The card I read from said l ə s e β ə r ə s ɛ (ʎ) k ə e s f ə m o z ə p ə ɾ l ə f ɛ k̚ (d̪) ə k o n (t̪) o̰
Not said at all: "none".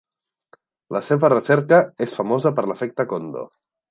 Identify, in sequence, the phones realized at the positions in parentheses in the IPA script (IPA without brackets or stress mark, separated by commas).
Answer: ɾ, t̪, d̪